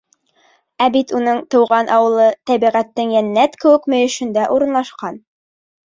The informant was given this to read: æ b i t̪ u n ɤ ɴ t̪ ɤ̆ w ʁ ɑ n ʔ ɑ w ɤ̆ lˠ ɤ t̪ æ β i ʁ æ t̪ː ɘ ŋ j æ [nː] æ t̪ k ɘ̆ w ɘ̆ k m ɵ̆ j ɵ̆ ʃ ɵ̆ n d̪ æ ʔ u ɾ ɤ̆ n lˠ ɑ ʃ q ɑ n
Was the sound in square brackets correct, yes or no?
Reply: yes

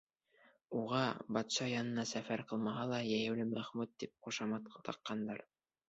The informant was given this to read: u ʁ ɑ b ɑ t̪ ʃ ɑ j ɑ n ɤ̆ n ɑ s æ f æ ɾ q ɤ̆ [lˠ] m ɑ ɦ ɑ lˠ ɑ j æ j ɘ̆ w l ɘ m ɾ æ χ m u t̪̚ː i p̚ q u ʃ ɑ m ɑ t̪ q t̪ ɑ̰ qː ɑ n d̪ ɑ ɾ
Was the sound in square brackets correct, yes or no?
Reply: yes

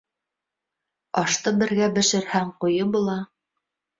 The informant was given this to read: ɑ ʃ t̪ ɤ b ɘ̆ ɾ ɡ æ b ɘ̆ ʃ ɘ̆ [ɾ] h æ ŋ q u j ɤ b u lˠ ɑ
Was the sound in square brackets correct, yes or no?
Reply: yes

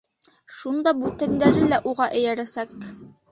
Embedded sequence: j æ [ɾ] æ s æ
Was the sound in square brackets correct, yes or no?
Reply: yes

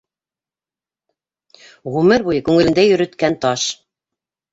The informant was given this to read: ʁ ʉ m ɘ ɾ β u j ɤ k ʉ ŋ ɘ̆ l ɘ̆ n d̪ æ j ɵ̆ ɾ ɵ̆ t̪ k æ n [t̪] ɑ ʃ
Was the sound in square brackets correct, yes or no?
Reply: yes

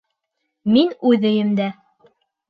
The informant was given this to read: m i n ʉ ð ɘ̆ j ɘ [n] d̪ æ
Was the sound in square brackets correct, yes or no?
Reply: no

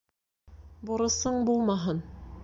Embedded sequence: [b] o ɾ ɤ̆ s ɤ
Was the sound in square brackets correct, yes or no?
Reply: yes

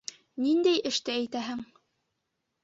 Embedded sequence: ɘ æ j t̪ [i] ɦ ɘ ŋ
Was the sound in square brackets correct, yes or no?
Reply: no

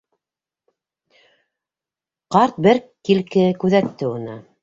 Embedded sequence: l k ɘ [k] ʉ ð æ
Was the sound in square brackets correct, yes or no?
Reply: yes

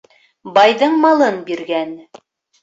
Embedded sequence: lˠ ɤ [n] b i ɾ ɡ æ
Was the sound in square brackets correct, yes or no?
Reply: yes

